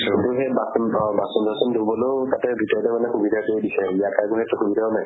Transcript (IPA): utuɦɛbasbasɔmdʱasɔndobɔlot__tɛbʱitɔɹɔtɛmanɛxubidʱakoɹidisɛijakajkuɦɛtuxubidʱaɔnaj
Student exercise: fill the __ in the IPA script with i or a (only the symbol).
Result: a